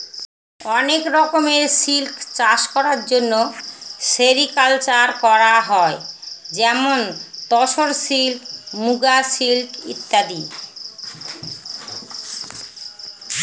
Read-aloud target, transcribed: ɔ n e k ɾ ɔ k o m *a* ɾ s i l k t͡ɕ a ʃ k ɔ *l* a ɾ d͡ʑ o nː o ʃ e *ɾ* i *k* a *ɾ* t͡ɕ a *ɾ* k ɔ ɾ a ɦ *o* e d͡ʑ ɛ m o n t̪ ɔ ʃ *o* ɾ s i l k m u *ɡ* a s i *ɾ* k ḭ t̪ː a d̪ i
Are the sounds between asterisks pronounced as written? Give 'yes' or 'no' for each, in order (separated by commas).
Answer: no, no, yes, yes, no, yes, no, yes, yes, no